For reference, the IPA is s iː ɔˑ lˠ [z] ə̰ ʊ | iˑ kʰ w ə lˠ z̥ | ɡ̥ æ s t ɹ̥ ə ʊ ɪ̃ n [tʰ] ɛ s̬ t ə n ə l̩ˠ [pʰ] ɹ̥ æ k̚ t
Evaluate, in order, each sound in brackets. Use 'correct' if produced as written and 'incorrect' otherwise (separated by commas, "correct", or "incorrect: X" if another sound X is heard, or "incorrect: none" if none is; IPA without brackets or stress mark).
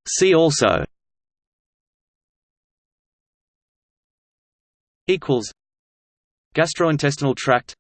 incorrect: s, correct, incorrect: tʰ